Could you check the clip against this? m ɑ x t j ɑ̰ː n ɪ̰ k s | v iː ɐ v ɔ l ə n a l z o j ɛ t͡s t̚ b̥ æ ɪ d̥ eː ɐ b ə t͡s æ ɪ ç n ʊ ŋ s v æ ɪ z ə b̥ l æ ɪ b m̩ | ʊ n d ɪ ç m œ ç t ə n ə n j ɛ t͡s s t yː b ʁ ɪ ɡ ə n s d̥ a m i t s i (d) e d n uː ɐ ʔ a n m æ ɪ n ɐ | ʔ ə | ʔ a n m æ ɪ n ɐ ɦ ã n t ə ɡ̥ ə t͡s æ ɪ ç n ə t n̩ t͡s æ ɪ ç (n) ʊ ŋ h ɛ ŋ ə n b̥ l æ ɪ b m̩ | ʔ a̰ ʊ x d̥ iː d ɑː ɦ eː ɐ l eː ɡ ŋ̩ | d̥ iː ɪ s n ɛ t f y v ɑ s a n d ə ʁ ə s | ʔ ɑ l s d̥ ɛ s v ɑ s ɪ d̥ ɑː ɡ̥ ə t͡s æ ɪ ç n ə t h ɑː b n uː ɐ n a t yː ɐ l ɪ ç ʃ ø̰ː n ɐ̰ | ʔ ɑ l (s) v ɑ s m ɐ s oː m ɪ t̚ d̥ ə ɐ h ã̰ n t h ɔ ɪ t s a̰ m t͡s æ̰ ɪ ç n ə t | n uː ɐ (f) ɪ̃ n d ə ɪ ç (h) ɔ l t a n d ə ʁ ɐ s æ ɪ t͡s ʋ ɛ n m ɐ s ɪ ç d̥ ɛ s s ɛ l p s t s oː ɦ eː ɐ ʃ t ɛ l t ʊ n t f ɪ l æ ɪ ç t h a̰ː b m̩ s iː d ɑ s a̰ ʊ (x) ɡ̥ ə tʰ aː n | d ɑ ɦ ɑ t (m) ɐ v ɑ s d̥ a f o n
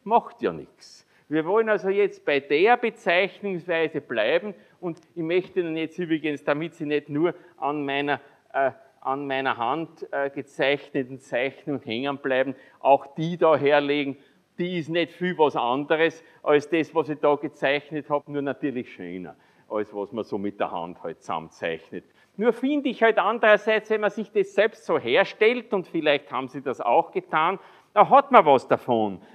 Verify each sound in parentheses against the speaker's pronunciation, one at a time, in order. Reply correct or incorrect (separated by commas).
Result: incorrect, correct, correct, correct, correct, correct, correct